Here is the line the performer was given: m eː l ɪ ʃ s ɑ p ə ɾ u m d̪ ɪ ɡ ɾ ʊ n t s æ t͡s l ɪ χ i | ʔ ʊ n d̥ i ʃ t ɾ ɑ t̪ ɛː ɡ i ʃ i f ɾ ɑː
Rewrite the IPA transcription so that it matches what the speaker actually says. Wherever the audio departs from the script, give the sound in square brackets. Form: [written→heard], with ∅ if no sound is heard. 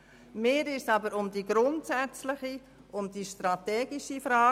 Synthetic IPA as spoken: m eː [l→ɾ] ɪ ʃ s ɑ [p→b] ə ɾ [u→ʊ] m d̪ [ɪ→i] ɡ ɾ ʊ n t s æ t͡s l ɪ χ i | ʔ ʊ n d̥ i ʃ t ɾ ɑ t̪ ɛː ɡ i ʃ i f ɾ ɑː